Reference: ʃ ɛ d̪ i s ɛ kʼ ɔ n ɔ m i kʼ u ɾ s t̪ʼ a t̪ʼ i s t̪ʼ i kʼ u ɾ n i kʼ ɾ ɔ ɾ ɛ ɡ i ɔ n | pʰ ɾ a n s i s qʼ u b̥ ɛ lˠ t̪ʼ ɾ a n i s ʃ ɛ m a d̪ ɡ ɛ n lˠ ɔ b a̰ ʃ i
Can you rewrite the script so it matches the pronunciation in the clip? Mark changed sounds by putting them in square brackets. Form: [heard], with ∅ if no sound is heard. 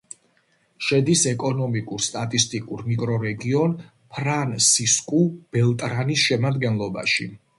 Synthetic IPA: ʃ ɛ d̪ i s ɛ kʼ ɔ n ɔ m i kʼ u ɾ s t̪ʼ a t̪ʼ i s t̪ʼ i kʼ u ɾ [m] i kʼ ɾ ɔ ɾ ɛ ɡ i ɔ n | pʰ ɾ a n s i s [kʼ] u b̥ ɛ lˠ t̪ʼ ɾ a n i s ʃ ɛ m a d̪ ɡ ɛ n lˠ ɔ b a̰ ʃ i